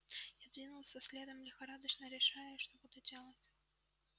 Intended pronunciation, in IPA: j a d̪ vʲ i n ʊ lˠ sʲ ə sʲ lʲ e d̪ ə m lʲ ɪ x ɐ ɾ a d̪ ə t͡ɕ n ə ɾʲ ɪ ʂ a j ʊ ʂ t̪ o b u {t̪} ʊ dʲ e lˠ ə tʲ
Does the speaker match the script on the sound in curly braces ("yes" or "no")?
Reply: no